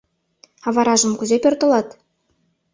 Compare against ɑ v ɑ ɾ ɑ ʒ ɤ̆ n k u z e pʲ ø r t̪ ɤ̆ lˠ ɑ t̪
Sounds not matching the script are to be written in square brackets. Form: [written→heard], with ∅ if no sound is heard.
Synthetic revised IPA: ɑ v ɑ ɾ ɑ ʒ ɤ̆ [n→m] k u z e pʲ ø r t̪ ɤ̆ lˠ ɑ t̪